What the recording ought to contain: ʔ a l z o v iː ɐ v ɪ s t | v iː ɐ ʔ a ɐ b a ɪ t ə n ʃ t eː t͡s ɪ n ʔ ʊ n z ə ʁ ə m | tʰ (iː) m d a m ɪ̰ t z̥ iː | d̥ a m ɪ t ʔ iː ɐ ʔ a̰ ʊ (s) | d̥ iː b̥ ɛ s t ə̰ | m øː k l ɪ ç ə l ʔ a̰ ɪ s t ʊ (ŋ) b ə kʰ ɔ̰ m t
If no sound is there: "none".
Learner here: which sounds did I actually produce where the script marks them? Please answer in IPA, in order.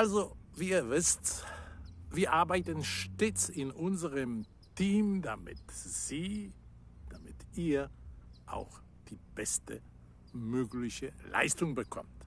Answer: iː, x, ŋ

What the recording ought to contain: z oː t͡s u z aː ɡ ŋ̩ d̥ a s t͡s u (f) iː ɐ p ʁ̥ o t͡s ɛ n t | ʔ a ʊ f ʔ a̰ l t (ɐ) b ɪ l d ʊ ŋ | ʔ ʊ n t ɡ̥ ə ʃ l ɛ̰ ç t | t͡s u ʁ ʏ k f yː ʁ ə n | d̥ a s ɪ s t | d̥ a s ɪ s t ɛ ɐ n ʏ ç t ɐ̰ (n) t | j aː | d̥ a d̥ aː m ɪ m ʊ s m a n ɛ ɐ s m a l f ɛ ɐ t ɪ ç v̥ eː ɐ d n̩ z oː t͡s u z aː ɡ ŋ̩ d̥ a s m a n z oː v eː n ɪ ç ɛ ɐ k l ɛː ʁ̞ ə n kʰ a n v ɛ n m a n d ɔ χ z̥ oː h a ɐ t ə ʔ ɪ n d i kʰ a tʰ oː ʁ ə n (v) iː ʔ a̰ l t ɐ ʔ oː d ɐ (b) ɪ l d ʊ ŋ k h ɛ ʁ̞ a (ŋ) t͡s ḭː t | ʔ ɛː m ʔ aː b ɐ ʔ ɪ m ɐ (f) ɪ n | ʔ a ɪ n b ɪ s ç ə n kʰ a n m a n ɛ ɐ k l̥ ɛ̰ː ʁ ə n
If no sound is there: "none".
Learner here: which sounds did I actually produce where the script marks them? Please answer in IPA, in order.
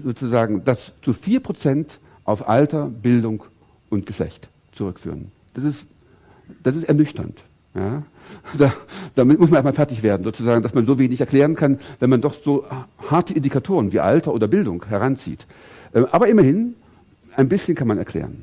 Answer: f, ɐ, n, v, b, n, h

